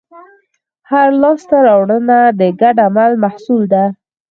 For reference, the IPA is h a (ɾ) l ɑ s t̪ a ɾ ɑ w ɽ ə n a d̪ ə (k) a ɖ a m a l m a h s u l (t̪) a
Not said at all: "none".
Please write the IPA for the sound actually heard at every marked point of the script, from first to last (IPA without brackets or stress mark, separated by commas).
ɾ, ɡ, d̪